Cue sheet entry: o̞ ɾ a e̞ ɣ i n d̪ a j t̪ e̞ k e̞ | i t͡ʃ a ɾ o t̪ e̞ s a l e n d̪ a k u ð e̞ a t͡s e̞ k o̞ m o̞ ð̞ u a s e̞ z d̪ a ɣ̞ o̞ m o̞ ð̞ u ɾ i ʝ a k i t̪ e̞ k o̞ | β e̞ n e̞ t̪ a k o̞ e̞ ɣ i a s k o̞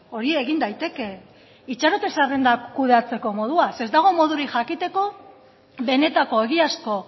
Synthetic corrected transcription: o̞ ɾ i e̞ ɣ i n d̪ a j t̪ e̞ k e̞ | i t͡ʃ a ɾ o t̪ e̞ s a r e n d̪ a k u ð e̞ a t͡s e̞ k o̞ m o̞ ð̞ u a s e̞ z d̪ a ɣ̞ o̞ m o̞ ð̞ u ɾ i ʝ a k i t̪ e̞ k o̞ | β e̞ n e̞ t̪ a k o̞ e̞ ɣ i a s k o̞